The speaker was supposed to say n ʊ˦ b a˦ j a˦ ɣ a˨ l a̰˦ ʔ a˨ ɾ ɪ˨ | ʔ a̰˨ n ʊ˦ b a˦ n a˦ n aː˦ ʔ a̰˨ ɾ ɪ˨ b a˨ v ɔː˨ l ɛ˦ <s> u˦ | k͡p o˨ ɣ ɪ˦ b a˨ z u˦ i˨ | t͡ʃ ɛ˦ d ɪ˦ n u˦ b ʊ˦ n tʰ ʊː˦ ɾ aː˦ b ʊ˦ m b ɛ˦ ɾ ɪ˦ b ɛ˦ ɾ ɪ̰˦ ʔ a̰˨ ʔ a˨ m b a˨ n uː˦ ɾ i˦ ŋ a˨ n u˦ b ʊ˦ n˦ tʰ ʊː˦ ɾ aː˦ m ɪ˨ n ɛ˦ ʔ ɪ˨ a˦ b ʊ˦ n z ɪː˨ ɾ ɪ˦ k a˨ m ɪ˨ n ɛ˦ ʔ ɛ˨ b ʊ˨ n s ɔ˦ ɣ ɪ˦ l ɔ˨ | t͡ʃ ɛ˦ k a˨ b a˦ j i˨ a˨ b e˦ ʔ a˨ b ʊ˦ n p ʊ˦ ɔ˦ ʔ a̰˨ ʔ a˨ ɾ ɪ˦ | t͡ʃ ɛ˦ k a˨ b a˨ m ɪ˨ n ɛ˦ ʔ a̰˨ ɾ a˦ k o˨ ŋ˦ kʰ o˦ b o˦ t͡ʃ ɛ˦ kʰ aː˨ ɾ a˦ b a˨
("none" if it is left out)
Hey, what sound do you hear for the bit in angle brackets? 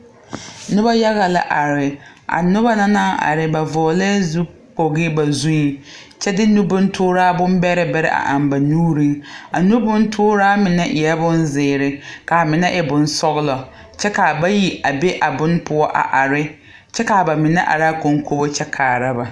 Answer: z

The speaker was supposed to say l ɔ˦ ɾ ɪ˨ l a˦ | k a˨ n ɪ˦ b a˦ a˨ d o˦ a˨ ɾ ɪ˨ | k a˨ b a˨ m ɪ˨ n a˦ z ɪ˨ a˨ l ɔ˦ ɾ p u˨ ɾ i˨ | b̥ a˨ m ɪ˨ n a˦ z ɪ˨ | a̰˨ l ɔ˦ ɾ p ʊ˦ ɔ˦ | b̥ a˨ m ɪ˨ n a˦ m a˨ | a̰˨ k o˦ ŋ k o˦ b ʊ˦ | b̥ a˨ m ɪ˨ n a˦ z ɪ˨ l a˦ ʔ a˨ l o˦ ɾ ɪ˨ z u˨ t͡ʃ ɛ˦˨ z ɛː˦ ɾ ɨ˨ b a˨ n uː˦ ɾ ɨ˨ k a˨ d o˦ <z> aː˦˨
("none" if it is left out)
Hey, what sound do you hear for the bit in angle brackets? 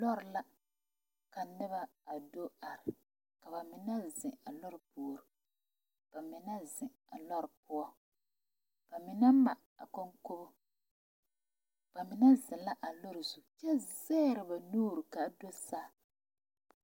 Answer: s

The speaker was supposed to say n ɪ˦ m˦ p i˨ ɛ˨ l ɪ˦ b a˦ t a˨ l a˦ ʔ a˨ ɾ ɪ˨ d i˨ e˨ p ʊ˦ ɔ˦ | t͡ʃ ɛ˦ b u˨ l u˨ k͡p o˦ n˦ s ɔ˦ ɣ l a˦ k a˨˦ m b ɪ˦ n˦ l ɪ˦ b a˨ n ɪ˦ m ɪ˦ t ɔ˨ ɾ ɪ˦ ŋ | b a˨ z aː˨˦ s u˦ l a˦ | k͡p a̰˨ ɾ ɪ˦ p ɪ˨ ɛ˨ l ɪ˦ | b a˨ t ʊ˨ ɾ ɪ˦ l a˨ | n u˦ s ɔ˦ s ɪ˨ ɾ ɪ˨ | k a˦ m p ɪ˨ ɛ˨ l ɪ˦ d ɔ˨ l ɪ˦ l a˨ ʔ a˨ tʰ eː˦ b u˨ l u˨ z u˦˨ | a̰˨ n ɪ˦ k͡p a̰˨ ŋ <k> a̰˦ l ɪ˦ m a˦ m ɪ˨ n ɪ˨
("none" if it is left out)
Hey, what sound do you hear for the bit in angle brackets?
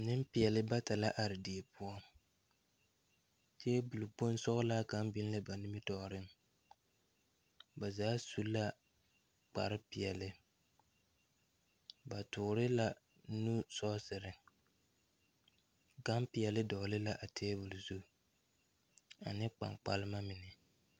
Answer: k͡p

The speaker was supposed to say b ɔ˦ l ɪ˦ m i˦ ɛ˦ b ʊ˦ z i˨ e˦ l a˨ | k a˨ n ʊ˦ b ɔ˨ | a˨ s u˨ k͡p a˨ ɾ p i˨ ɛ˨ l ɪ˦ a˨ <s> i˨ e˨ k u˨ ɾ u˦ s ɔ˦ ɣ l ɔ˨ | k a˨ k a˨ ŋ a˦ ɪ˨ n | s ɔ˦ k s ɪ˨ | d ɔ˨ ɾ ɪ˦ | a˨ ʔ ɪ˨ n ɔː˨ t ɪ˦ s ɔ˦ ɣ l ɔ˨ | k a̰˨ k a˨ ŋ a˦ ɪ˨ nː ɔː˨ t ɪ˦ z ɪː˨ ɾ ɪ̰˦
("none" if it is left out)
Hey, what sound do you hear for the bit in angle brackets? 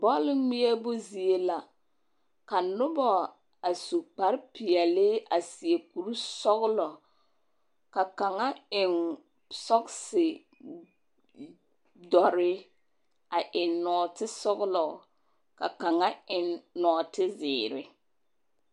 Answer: s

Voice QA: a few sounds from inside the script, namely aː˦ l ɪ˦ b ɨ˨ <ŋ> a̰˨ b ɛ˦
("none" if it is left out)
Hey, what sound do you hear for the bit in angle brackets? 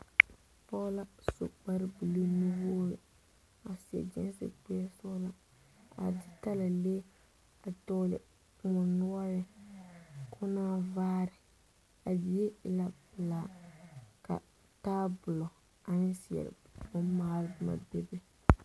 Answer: m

